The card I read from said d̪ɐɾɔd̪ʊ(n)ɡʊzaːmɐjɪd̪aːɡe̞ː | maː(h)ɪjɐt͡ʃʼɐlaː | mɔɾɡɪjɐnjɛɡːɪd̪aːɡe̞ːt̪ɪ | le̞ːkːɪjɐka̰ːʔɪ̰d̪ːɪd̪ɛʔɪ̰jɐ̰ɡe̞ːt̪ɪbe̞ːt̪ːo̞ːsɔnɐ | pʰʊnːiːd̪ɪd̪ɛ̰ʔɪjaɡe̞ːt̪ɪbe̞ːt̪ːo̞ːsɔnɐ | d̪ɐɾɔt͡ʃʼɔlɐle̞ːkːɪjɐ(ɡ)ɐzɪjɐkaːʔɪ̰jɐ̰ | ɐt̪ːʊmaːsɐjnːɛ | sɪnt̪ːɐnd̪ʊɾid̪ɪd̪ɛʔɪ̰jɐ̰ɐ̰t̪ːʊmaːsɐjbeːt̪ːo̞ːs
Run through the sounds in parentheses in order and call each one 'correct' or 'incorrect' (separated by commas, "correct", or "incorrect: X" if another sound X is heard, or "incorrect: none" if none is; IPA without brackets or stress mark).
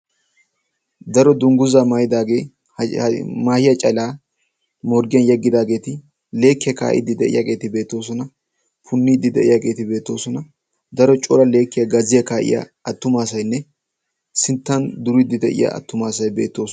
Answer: incorrect: ŋ, correct, correct